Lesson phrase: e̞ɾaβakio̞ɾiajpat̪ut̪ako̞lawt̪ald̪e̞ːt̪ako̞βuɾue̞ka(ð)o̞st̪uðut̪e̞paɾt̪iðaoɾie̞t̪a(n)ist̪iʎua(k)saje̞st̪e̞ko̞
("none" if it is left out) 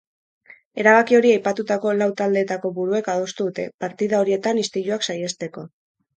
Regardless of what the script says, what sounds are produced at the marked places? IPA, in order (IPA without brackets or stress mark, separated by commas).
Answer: ð, n, k